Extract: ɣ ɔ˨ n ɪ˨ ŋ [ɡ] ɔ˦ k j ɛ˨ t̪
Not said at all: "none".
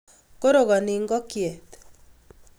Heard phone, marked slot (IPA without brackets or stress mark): ɡ